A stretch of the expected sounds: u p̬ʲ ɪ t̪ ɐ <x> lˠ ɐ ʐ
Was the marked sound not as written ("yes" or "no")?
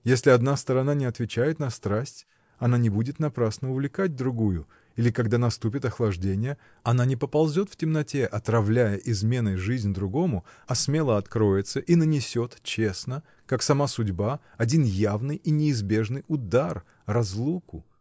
no